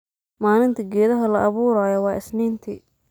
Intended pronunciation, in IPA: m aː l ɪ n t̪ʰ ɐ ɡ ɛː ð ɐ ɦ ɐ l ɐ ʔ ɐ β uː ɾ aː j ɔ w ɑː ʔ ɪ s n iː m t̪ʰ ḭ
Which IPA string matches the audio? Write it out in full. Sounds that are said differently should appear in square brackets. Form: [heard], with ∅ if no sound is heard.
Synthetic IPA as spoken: m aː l ɪ n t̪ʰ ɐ ɡ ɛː ð ɐ ɦ ɐ l ɐ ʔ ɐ β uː ɾ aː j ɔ w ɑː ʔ ɪ s n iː [n] t̪ʰ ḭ